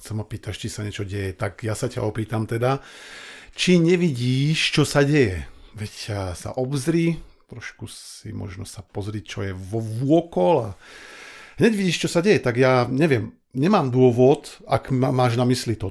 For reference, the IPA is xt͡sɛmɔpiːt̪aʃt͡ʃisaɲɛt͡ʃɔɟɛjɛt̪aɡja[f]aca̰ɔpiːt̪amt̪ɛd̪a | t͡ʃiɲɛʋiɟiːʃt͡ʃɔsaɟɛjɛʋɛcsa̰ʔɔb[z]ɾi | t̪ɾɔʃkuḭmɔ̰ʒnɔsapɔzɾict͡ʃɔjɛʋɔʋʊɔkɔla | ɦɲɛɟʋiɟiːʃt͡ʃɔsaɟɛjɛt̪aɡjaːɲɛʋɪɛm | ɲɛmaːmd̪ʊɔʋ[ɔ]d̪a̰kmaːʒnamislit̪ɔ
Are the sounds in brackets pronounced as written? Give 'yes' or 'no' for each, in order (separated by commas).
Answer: no, yes, yes